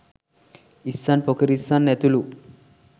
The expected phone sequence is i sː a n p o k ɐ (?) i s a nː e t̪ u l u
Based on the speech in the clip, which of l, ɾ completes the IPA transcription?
ɾ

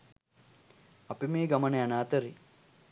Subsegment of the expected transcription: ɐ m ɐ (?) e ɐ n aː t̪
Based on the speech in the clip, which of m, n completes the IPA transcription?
n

